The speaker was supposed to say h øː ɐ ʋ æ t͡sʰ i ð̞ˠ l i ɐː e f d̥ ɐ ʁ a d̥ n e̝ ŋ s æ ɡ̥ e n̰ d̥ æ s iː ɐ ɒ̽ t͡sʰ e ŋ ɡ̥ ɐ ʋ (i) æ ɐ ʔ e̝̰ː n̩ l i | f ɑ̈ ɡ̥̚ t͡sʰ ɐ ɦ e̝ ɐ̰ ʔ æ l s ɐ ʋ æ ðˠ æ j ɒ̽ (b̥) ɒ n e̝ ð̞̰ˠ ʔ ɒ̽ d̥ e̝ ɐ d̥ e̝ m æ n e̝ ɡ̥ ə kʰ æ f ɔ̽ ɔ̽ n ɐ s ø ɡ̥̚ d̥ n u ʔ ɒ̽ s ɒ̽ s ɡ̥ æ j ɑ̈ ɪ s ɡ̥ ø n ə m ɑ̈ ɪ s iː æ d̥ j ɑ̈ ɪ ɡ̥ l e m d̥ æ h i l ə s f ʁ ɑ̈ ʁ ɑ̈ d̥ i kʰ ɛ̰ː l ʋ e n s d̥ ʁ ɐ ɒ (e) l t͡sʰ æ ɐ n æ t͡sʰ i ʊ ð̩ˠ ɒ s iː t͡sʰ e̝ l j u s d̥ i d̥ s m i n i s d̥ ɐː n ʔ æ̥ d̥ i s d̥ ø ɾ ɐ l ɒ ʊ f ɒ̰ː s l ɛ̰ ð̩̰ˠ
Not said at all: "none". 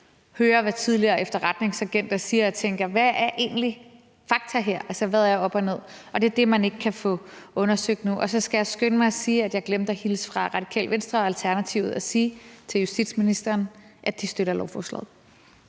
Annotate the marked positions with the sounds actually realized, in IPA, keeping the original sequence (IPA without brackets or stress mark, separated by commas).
æ, b̥, æ